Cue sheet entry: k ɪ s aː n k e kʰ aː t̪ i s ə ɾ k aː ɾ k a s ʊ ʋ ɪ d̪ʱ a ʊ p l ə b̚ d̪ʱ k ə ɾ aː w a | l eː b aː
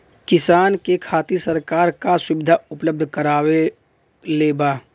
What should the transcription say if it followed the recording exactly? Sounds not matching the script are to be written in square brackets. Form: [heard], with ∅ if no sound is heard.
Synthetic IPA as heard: k ɪ s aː n k e kʰ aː t̪ i s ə ɾ k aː ɾ k a s ʊ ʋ ɪ d̪ʱ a ʊ p l ə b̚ d̪ʱ k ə ɾ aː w [e] | l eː b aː